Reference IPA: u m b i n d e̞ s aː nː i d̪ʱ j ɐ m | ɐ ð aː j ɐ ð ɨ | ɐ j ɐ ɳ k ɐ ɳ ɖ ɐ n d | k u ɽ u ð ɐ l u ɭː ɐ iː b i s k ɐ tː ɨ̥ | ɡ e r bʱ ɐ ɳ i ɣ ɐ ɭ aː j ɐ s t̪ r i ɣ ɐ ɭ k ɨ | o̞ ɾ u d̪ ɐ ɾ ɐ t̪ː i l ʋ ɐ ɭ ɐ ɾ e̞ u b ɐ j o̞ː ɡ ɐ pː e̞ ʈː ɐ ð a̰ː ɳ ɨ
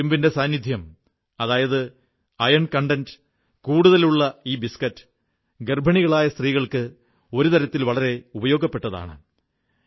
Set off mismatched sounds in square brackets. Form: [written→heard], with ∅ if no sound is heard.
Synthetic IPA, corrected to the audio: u m b i n d e̞ s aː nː i d̪ʱ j ɐ m | ɐ ð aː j ɐ ð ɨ | ɐ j ɐ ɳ k ɐ ɳ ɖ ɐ n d | k [u→uː] ɽ u ð ɐ l u ɭː ɐ iː b i s k ɐ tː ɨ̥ | ɡ e r bʱ ɐ ɳ i ɣ ɐ ɭ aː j ɐ s t̪ r [i→iː] ɣ ɐ ɭ k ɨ | o̞ ɾ u [d̪→t̪] ɐ ɾ ɐ t̪ː i l ʋ ɐ ɭ ɐ ɾ e̞ u b ɐ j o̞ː ɡ ɐ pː e̞ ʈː ɐ ð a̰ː ɳ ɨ

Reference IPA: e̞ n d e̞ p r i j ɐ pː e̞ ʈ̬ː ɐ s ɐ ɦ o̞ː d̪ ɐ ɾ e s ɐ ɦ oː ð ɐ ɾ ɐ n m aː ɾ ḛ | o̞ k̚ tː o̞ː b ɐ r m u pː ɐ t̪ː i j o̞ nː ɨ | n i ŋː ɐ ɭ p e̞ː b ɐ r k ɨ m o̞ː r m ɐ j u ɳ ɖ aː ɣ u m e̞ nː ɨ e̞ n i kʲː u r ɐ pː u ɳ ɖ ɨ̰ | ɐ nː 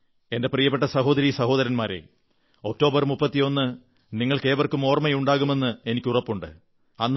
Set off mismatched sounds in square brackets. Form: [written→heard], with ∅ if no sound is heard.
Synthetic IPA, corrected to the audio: e̞ n d e̞ p r i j ɐ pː e̞ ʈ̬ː ɐ s ɐ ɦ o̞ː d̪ ɐ ɾ [e→i] s ɐ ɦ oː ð ɐ ɾ ɐ n m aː ɾ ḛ | o̞ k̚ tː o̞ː b ɐ r m u pː ɐ t̪ː i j o̞ nː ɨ | n i ŋː ɐ ɭ [p→k] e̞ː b ɐ r k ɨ m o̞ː r m ɐ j u ɳ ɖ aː ɣ u m e̞ nː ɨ e̞ n i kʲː u r ɐ pː u ɳ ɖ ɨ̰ | ɐ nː

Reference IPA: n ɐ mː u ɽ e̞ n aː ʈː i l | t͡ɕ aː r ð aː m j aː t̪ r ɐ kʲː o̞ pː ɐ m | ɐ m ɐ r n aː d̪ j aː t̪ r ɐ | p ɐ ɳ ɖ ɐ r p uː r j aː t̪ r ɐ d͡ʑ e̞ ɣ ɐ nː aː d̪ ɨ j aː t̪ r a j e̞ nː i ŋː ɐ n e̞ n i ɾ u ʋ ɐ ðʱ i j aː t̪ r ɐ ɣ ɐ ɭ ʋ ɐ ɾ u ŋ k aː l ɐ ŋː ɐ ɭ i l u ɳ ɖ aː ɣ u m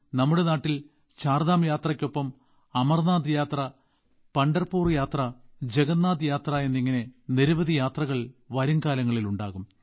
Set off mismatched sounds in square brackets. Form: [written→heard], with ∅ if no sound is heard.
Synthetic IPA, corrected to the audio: n ɐ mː u ɽ e̞ n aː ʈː i l | t͡ɕ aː r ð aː m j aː t̪ r ɐ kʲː o̞ pː ɐ m | ɐ m ɐ r n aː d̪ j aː t̪ r ɐ | p ɐ ɳ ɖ ɐ r p uː r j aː t̪ r ɐ d͡ʑ e̞ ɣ ɐ nː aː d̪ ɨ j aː t̪ r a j e̞ nː i ŋː ɐ n e̞ n i ɾ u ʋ ɐ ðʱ i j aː t̪ r ɐ ɣ ɐ ɭ ʋ ɐ ɾ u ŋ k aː l ɐ ŋː ɐ ɭ i l u ɳ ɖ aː ɣ u m

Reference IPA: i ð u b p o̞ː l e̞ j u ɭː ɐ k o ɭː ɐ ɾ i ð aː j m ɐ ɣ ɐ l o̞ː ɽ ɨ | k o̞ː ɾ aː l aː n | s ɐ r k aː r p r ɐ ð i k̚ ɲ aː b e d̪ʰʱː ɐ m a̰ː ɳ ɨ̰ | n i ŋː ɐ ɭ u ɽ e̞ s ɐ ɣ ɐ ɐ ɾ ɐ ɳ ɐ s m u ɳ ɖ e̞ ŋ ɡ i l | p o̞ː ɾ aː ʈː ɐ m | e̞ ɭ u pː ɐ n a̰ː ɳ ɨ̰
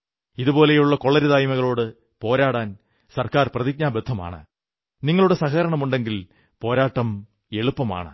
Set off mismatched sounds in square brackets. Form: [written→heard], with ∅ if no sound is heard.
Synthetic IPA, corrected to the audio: i ð u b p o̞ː l e̞ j u ɭː ɐ k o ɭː ɐ ɾ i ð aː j m ɐ ɣ ɐ [l→ɭ] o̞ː ɽ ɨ | [k→p] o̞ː ɾ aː [l→ɽ] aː n | s ɐ r k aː r p r ɐ ð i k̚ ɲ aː b e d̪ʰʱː ɐ m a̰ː ɳ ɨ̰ | n i ŋː ɐ ɭ u ɽ e̞ s ɐ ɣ ɐ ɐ ɾ ɐ ɳ ɐ [s→∅] m u ɳ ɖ e̞ ŋ ɡ i l | p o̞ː ɾ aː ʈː ɐ m | e̞ ɭ u pː ɐ [n→m] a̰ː ɳ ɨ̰

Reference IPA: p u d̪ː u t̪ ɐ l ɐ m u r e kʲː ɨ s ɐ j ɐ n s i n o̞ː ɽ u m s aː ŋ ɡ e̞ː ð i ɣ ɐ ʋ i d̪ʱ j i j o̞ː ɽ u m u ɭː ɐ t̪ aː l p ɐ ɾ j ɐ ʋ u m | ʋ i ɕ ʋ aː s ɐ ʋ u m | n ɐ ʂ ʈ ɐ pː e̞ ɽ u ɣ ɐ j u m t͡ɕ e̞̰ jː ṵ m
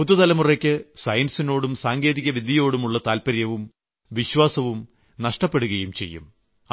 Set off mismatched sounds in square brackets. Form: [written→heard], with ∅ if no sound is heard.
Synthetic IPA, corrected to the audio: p u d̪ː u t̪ ɐ l ɐ m u r e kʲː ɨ s ɐ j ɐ n s i n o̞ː ɽ u m s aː ŋ ɡ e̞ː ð i ɣ ɐ ʋ i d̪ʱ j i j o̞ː ɽ u m u ɭː ɐ t̪ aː l p ɐ ɾ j ɐ ʋ u m | ʋ i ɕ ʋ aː s ɐ ʋ u m | n ɐ ʂ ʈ ɐ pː e̞ ɽ u ɣ ɐ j u m t͡ɕ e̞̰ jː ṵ m

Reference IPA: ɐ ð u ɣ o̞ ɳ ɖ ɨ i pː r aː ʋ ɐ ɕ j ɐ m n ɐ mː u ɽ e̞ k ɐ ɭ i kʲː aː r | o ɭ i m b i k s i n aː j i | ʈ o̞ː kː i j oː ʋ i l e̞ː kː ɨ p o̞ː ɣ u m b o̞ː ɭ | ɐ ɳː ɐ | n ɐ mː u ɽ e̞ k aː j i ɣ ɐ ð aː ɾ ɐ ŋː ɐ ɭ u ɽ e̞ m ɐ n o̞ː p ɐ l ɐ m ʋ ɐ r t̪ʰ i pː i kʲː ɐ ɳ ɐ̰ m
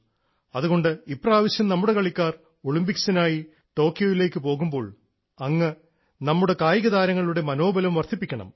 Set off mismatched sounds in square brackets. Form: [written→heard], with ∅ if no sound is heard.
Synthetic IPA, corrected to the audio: ɐ ð u ɣ o̞ ɳ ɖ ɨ i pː r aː ʋ ɐ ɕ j ɐ m n ɐ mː u ɽ e̞ k ɐ ɭ i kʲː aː r | o ɭ i m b i k s i n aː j i | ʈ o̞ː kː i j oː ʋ i l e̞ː kː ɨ p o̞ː ɣ u m b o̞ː ɭ | ɐ [ɳː→ŋː] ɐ | n ɐ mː u ɽ e̞ k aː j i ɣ ɐ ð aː ɾ ɐ ŋː ɐ ɭ u ɽ e̞ m ɐ n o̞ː [p→b] ɐ l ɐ m ʋ ɐ r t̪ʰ i pː i kʲː ɐ ɳ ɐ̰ m

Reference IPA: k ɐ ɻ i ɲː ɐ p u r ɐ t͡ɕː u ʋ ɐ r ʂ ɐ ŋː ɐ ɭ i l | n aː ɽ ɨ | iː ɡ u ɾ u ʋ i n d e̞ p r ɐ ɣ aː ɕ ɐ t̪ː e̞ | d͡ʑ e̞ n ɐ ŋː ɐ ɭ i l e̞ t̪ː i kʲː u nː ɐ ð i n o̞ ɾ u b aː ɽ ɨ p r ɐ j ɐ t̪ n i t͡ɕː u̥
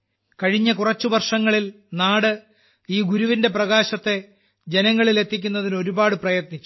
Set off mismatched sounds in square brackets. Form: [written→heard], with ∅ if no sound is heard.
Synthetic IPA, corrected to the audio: k ɐ ɻ i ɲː ɐ [p→k] u r ɐ t͡ɕː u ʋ ɐ r ʂ ɐ ŋː ɐ ɭ i l | n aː ɽ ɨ | iː ɡ u ɾ u ʋ i n d e̞ p r ɐ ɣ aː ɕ ɐ t̪ː e̞ | d͡ʑ e̞ n ɐ ŋː ɐ ɭ i l e̞ t̪ː i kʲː u nː ɐ ð i n o̞ ɾ u b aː ɽ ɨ p r ɐ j ɐ t̪ n i t͡ɕː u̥

